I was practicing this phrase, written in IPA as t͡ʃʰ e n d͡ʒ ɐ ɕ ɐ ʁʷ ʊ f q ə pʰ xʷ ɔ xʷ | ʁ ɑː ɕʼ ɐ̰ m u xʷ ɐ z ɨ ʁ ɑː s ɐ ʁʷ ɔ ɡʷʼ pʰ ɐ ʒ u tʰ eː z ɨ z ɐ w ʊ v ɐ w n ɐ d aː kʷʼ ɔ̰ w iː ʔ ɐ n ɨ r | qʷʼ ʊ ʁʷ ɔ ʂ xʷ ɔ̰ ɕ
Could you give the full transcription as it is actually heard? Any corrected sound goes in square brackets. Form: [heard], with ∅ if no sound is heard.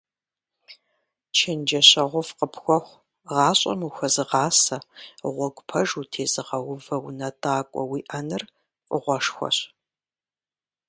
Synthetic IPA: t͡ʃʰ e n d͡ʒ ɐ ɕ ɐ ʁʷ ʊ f q ə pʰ xʷ ɔ xʷ | ʁ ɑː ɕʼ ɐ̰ m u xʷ ɐ z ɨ ʁ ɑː s ɐ ʁʷ ɔ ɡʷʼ pʰ ɐ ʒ u tʰ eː z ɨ [ʁ] ɐ w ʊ v ɐ w n ɐ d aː kʷʼ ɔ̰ w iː ʔ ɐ n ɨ r | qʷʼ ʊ ʁʷ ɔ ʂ xʷ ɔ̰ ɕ